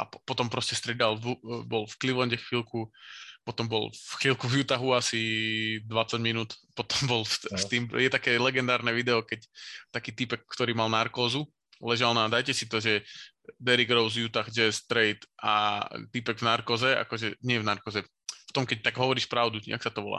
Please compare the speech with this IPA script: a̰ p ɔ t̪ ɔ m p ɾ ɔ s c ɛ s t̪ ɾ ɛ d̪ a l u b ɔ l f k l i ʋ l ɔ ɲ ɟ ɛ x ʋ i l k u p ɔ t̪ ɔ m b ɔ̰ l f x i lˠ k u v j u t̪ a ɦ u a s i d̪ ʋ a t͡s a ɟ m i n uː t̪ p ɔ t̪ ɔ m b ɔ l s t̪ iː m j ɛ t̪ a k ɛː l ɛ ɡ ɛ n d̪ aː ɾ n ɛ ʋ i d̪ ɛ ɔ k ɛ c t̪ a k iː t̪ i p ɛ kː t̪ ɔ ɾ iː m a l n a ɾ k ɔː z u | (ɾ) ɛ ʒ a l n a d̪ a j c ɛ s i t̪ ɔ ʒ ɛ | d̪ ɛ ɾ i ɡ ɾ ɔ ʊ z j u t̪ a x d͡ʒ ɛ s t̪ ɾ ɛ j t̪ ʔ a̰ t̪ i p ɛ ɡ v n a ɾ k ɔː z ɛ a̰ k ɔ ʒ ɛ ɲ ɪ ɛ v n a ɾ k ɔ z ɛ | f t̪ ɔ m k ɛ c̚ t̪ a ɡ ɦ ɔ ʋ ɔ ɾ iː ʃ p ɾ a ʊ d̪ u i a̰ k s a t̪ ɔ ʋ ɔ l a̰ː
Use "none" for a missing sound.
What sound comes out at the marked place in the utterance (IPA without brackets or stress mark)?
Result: l